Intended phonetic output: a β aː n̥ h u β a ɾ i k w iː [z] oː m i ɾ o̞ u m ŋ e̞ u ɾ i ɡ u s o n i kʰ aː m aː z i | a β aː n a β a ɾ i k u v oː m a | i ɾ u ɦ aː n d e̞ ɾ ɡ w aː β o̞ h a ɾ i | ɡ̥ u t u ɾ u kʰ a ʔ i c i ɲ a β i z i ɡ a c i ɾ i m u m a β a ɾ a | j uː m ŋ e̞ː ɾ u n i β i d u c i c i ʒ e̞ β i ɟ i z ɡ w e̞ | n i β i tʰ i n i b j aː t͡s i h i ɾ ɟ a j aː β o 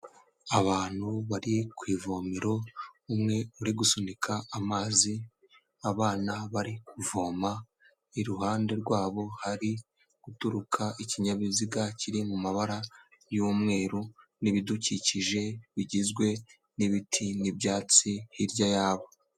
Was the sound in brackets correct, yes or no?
no